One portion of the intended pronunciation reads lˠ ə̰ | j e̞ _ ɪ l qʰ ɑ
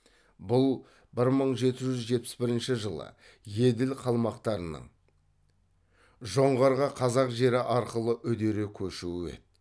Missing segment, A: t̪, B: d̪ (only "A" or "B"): B